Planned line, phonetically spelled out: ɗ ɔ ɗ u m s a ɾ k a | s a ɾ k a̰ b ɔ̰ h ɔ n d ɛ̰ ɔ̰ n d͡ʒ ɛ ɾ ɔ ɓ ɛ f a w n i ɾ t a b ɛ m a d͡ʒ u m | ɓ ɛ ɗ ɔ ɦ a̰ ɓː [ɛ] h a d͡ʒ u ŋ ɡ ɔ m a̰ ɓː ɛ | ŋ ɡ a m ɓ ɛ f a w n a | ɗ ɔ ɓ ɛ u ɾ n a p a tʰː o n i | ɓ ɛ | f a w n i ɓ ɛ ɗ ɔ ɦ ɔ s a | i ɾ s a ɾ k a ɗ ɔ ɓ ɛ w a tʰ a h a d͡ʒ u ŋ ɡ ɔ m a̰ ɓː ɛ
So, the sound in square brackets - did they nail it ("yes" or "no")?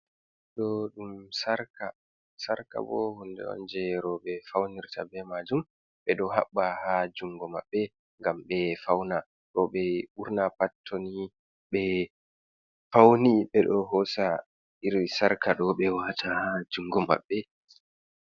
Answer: no